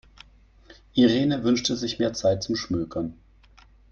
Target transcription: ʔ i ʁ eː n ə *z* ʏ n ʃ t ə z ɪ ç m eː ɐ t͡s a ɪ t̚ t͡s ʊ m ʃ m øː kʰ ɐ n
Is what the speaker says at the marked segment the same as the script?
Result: no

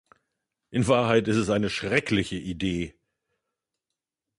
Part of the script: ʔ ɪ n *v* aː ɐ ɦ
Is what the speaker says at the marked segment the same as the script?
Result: yes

